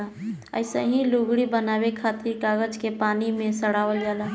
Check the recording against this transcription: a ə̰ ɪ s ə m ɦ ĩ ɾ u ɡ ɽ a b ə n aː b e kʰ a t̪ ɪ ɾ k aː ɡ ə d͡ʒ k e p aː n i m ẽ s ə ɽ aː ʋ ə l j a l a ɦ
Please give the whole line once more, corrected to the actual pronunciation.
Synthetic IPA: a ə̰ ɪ s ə ɦ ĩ l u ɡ ɽ i b ə n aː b e kʰ a t̪ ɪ ɾ k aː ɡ ə d͡ʒ k e p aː n i m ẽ s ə ɽ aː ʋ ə l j a l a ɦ